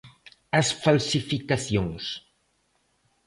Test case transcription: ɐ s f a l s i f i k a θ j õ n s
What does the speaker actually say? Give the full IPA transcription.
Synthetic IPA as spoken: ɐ s f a l s i f i k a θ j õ ŋ s